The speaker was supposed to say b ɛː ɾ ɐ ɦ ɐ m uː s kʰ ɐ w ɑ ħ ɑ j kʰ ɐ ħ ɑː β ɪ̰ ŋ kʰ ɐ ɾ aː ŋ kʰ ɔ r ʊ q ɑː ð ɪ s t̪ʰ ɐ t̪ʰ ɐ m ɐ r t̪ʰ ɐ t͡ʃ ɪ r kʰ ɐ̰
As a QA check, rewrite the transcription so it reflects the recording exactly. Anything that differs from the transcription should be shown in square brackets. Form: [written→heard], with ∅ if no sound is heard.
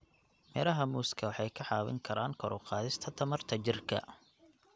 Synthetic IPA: [b→m] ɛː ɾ ɐ ɦ ɐ m uː s kʰ ɐ w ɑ ħ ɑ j kʰ ɐ ħ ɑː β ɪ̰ ŋ kʰ ɐ ɾ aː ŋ kʰ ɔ [r→ɾ] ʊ q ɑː ð ɪ s t̪ʰ ɐ t̪ʰ ɐ m ɐ r t̪ʰ ɐ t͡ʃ ɪ r kʰ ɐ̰